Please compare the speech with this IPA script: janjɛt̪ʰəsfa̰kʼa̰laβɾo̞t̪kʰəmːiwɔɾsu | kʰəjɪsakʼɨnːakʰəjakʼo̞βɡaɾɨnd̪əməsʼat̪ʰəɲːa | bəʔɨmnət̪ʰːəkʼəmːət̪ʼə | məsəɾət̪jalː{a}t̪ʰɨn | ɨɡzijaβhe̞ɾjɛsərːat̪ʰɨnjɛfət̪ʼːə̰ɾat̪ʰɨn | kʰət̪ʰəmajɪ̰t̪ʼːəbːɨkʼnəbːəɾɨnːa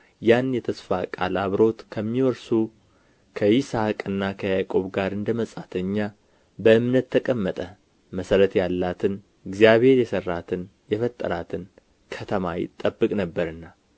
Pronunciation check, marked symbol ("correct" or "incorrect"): correct